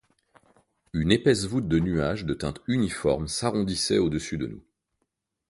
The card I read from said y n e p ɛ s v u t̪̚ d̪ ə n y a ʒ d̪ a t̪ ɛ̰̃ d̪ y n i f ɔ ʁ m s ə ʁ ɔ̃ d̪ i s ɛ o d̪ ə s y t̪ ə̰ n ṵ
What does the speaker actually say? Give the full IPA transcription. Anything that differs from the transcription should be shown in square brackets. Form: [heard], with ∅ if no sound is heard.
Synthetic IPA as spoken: y n e p ɛ s v u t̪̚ d̪ ə n y a ʒ d̪ [ə] t̪ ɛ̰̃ [t̪] y n i f ɔ ʁ m s [a] ʁ ɔ̃ d̪ i s ɛ o d̪ ə s y [d̪] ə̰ n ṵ